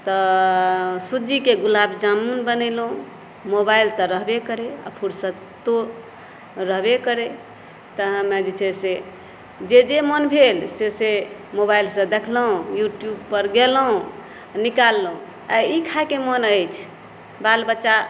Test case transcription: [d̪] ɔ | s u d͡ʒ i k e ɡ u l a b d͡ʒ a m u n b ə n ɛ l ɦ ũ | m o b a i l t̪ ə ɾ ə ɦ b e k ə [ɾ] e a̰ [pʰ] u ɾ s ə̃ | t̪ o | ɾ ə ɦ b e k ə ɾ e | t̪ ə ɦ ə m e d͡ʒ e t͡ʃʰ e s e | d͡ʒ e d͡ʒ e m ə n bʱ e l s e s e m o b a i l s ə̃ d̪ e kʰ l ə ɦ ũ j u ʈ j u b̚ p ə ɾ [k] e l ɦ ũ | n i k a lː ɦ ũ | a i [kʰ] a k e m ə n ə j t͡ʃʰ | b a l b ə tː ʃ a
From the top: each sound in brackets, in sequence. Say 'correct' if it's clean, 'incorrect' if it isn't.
incorrect: t̪, correct, correct, incorrect: ɡ, correct

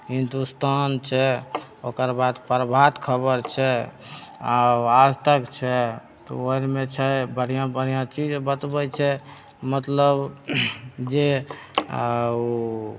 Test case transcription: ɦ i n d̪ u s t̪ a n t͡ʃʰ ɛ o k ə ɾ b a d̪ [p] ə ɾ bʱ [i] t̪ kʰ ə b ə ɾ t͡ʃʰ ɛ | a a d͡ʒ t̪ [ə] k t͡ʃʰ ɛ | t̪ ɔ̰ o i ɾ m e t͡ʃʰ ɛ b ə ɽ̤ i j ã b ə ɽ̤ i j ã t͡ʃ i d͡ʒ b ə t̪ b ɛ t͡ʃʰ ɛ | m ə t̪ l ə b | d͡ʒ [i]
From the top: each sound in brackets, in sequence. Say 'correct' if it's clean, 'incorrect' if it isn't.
correct, incorrect: a, correct, incorrect: e

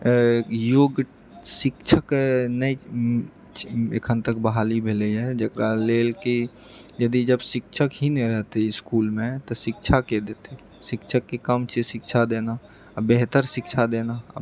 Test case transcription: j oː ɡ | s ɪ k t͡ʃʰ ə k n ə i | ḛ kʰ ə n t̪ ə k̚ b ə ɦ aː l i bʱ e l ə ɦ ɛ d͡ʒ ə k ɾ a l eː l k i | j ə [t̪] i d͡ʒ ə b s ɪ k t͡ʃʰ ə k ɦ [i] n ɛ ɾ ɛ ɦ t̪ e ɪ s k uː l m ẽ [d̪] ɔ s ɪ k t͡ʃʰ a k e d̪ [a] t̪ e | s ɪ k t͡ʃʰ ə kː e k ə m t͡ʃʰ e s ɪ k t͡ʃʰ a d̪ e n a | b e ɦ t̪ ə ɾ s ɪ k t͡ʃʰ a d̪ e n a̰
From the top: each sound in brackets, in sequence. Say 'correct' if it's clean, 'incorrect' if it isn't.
incorrect: d̪, correct, incorrect: t̪, incorrect: e

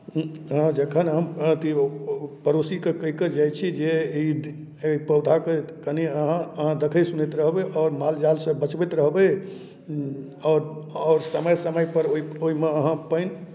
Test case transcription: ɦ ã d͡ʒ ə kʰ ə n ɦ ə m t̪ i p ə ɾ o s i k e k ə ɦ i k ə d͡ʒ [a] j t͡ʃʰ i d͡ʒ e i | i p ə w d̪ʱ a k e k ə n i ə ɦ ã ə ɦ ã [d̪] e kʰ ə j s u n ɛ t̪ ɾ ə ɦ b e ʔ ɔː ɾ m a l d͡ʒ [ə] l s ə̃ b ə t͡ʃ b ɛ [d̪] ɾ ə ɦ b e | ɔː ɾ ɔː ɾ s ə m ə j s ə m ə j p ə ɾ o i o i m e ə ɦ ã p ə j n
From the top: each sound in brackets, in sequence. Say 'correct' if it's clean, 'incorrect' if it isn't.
correct, correct, incorrect: a, incorrect: t̪

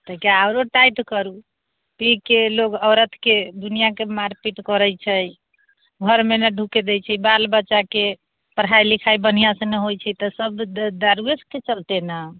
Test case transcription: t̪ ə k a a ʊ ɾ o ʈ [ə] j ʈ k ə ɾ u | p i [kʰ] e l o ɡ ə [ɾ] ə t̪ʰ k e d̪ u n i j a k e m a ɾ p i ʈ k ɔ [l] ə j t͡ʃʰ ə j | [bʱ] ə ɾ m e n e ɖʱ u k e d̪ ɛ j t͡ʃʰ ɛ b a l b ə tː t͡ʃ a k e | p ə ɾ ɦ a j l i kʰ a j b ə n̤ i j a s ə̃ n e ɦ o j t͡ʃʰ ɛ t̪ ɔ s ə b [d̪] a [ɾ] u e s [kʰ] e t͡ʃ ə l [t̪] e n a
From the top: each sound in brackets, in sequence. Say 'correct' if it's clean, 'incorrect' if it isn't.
incorrect: a, incorrect: k, correct, incorrect: ɾ, incorrect: ɡʱ, correct, correct, incorrect: k, correct

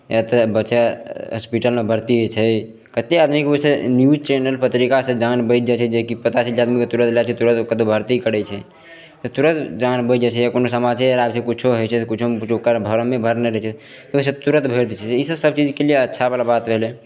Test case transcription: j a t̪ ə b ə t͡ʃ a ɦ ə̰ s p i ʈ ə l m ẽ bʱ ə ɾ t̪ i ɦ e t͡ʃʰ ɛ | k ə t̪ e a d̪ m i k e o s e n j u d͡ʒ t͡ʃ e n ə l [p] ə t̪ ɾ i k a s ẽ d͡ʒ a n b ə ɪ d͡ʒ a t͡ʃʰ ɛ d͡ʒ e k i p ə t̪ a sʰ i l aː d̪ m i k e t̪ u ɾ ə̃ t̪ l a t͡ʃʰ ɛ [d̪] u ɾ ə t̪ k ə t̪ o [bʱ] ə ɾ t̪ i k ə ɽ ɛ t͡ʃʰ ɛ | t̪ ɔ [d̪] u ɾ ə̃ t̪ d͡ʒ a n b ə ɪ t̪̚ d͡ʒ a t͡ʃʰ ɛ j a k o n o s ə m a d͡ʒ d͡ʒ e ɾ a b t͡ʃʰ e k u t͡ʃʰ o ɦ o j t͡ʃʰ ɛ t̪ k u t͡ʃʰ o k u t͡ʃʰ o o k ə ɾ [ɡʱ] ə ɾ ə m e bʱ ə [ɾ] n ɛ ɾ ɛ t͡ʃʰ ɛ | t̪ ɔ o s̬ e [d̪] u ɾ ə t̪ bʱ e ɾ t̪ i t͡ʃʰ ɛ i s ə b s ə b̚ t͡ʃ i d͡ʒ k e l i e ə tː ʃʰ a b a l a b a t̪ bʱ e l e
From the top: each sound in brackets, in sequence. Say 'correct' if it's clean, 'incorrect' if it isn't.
correct, incorrect: t̪, correct, incorrect: t̪, incorrect: bʱ, correct, incorrect: t̪

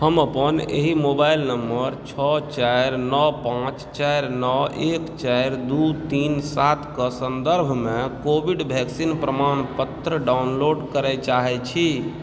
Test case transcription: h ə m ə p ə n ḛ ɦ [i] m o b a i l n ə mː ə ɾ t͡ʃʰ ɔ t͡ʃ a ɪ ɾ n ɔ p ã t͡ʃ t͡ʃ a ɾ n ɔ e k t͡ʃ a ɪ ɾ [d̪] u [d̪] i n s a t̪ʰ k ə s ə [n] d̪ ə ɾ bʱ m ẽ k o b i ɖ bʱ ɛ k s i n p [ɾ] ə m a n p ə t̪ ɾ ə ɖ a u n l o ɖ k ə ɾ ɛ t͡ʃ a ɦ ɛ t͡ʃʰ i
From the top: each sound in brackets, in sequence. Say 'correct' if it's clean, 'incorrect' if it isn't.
correct, correct, incorrect: t̪, correct, correct

